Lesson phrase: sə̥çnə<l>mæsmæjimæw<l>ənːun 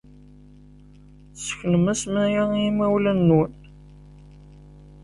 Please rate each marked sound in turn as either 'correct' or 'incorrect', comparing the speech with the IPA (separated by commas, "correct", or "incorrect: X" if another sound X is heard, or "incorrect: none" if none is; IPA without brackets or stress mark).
incorrect: none, correct